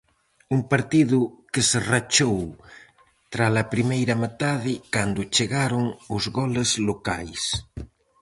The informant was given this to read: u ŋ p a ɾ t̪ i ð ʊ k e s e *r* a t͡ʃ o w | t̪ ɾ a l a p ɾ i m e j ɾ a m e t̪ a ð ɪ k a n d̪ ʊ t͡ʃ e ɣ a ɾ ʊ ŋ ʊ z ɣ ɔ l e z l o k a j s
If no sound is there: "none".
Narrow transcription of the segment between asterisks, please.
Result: r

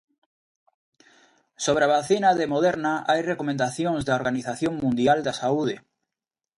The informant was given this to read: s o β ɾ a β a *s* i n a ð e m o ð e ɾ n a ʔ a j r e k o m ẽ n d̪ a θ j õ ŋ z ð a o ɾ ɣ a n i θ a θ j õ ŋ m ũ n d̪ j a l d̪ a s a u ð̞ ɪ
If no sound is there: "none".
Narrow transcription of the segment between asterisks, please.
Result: θ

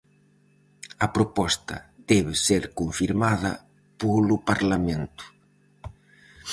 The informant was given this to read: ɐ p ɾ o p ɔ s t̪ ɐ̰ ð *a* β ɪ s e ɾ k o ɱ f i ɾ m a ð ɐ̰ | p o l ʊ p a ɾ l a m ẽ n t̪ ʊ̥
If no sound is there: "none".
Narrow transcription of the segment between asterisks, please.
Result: ɛ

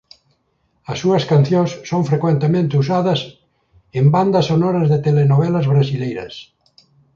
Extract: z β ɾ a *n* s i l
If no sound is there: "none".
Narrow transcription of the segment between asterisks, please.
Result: none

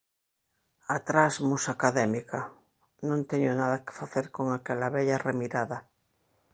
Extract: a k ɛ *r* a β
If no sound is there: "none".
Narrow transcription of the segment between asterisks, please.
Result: l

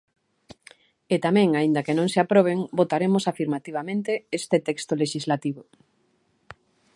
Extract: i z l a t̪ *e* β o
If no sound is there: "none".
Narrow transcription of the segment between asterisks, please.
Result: i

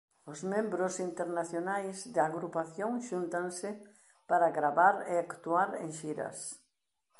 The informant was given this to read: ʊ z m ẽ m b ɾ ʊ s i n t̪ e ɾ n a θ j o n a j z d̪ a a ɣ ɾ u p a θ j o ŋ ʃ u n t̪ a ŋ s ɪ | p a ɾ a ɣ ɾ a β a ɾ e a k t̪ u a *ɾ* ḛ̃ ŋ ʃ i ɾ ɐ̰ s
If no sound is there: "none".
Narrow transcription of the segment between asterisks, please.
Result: ɾ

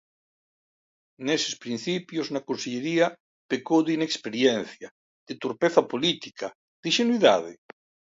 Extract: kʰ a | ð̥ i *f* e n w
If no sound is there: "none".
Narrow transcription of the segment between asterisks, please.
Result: ʃ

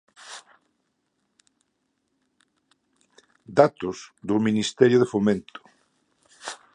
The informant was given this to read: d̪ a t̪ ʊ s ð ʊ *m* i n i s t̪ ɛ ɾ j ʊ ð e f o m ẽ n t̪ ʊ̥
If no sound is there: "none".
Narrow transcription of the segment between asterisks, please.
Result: m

